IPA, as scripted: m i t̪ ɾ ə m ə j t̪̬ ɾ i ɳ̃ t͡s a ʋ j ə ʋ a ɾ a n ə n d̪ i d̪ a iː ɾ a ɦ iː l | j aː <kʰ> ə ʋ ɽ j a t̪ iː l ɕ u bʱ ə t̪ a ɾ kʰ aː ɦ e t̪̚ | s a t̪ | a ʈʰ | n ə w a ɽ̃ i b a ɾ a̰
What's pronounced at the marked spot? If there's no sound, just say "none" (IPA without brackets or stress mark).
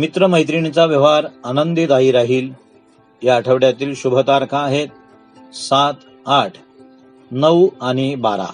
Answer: ʈʰ